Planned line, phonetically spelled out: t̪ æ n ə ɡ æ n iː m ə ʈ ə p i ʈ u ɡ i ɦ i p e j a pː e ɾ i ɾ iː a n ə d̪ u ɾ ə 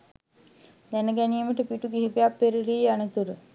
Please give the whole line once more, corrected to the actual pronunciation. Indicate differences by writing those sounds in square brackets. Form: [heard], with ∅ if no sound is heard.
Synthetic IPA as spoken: [d̪] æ n ə ɡ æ n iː m ə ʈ ə p i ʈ u ɡ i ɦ i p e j a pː e ɾ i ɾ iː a n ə [t̪] u ɾ ə